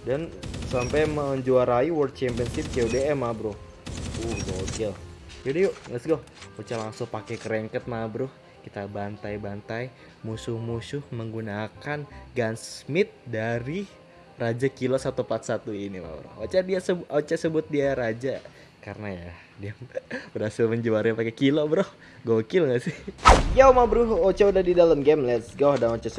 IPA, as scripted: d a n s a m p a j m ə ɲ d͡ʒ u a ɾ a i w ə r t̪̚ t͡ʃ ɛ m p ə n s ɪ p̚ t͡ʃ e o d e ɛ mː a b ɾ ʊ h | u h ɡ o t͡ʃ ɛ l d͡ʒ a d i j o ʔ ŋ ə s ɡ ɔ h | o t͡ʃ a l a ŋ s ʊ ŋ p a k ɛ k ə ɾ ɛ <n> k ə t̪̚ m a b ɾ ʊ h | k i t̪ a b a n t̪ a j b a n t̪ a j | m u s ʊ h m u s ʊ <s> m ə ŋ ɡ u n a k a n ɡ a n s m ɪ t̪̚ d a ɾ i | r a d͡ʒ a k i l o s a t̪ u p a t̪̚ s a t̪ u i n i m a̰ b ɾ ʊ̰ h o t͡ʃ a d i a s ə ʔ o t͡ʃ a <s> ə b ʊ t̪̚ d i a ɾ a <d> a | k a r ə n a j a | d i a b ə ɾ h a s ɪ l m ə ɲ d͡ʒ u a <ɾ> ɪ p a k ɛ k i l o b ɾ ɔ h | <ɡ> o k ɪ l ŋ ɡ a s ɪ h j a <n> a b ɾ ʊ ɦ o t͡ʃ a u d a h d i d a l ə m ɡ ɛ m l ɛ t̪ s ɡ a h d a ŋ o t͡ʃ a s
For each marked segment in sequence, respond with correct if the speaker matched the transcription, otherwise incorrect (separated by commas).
incorrect, incorrect, correct, incorrect, correct, correct, incorrect